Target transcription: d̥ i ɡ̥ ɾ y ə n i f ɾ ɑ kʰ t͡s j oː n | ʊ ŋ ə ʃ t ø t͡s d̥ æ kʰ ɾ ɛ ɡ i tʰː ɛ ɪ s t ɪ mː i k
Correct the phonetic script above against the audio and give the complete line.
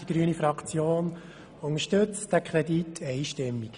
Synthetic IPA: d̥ i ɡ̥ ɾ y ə n i f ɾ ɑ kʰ t͡s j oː n | ʊ ŋ ə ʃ t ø t͡s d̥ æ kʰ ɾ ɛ d i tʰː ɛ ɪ ʃ t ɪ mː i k